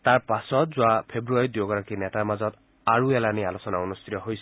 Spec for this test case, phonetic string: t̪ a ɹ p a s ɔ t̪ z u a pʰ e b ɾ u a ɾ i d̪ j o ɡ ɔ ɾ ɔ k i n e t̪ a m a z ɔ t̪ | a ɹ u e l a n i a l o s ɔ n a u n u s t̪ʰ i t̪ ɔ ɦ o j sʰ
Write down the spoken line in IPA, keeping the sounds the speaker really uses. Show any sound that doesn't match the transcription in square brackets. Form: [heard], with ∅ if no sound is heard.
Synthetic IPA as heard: t̪ a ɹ p a s ɔ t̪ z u a pʰ e b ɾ u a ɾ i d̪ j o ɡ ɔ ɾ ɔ k i n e t̪ a m a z ɔ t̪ | a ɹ u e l a n i a l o s ɔ n a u n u s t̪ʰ i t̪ ɔ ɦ o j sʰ